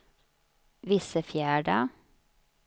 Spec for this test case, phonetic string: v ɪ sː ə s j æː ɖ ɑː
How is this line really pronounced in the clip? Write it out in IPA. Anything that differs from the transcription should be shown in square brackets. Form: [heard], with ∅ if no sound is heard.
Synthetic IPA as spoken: [ʋ] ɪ [s] ə [f] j æː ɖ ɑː